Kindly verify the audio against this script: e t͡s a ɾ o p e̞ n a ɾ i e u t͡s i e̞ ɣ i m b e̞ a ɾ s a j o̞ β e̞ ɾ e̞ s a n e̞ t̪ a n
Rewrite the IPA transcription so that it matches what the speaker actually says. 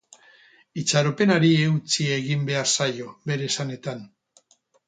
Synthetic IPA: i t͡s a ɾ o p e̞ n a ɾ i e u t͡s i e̞ ɣ i m b e̞ a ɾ s a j o̞ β e̞ ɾ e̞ s a n e̞ t̪ a n